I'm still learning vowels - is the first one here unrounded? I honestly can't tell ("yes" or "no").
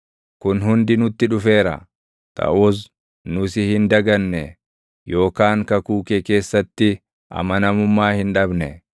no